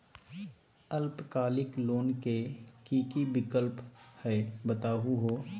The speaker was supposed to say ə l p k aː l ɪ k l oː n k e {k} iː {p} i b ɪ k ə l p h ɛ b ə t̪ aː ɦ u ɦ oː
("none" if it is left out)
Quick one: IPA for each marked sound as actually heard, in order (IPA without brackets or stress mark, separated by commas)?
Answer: k, k